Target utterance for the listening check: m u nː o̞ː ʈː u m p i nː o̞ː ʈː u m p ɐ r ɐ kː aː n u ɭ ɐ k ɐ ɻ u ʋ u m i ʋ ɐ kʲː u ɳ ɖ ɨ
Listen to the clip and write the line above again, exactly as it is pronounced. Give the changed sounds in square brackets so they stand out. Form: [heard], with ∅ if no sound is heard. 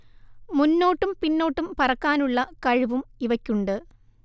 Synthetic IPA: m u nː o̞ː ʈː u m p i nː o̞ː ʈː u m p ɐ r ɐ kː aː n u [ɭː] ɐ k ɐ ɻ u ʋ u m i ʋ ɐ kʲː u ɳ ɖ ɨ